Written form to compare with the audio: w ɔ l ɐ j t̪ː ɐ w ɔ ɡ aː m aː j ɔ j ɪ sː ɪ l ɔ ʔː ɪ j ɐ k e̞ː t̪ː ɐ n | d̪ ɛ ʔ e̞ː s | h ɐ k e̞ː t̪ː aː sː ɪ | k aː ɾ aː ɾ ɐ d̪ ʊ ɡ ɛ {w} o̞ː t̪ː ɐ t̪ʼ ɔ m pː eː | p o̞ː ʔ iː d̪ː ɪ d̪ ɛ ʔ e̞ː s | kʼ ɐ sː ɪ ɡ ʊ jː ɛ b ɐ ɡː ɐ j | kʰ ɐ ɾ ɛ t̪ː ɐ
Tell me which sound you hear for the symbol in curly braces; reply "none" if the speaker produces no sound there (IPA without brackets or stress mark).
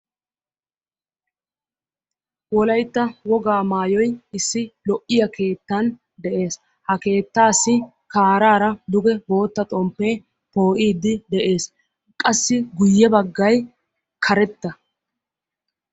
b